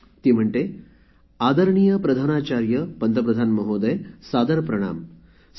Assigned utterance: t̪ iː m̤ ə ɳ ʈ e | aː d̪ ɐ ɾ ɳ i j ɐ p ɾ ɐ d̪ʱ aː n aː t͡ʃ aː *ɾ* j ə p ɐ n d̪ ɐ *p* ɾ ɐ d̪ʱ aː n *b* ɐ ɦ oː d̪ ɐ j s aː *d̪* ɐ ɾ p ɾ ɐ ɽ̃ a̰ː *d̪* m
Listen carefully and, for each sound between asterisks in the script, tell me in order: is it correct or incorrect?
correct, correct, incorrect, correct, incorrect

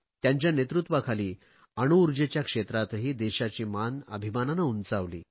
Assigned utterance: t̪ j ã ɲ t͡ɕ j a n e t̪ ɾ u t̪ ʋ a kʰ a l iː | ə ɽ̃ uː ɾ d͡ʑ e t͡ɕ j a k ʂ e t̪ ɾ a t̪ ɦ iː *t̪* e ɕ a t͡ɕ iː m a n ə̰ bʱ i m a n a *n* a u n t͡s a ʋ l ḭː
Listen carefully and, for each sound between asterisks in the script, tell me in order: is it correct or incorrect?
incorrect, correct

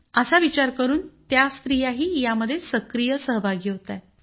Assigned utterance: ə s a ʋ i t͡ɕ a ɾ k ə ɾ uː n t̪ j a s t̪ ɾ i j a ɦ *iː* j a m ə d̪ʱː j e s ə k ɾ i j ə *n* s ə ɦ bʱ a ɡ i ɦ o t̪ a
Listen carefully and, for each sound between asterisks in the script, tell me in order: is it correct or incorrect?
correct, incorrect

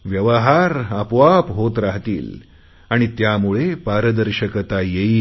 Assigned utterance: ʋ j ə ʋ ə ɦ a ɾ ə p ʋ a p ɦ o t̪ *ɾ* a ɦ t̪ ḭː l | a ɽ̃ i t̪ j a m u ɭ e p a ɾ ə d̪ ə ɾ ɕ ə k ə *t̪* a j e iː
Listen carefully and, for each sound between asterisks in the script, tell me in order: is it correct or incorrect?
correct, correct

